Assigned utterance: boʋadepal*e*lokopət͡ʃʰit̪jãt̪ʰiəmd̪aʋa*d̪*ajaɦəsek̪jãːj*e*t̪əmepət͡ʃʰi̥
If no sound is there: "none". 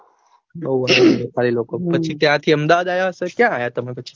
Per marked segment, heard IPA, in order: i, d̪, a

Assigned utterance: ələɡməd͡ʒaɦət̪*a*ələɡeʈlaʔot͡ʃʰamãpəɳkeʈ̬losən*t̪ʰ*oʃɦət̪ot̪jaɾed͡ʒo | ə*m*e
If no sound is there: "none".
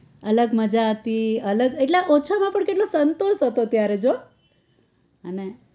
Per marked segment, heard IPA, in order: i, t̪, n

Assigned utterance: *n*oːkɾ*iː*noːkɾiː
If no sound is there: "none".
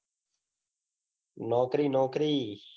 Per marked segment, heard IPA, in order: n, iː

